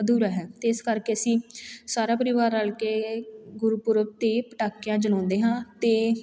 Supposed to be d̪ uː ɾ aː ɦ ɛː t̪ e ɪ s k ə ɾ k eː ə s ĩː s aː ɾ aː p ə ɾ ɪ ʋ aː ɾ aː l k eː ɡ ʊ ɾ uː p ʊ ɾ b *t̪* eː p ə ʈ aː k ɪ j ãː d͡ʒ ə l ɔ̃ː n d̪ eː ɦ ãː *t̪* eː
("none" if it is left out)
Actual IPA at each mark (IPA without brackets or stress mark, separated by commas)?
t̪, t̪